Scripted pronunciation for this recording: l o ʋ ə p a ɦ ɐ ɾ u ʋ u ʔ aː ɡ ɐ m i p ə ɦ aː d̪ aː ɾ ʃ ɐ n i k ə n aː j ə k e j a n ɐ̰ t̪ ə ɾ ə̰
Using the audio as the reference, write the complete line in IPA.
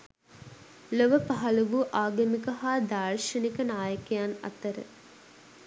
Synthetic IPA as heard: l o ʋ ə p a ɦ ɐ l u ʋ u ʔ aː ɡ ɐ m i k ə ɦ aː d̪ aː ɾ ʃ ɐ n i k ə n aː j ə k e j a n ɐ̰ t̪ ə ɾ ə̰